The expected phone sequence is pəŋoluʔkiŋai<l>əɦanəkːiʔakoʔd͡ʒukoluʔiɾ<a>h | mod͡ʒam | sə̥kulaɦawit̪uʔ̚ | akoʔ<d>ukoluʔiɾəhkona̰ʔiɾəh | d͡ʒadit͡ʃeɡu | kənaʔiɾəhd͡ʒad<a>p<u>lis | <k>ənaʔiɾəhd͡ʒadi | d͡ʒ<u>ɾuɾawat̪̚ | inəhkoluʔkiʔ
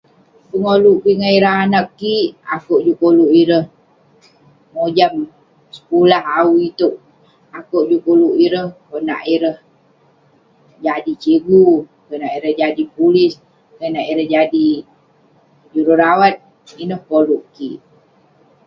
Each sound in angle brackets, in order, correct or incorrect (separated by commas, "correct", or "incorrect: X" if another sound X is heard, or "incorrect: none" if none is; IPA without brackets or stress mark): incorrect: ɾ, incorrect: ə, incorrect: d͡ʒ, incorrect: i, correct, correct, correct